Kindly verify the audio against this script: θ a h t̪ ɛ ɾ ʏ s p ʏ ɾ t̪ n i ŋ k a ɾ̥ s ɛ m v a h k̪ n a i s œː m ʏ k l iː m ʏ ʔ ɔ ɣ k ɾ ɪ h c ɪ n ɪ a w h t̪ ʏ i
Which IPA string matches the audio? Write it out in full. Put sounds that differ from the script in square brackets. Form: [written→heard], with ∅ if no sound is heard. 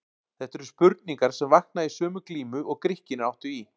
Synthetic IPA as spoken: θ [a→ɛ] h t̪ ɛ ɾ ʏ s p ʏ ɾ t̪ n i ŋ k a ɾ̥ s ɛ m v a h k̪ n a i s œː m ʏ k l iː m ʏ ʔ ɔ ɣ k ɾ ɪ h c ɪ n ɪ a w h t̪ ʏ i